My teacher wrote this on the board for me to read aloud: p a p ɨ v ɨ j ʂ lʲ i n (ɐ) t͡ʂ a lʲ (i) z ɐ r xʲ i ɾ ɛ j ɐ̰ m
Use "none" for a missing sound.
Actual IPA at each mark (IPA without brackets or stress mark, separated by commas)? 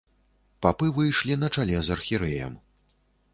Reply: ɐ, ɛ